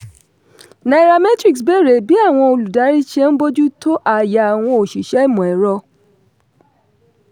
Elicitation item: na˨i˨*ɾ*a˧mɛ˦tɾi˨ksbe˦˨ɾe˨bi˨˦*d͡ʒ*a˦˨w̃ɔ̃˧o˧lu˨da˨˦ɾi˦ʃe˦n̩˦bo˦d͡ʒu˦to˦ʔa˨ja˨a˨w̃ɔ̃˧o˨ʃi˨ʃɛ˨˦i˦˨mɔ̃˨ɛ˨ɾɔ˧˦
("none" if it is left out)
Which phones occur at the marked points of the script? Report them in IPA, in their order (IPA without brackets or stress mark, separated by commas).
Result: ɾ, none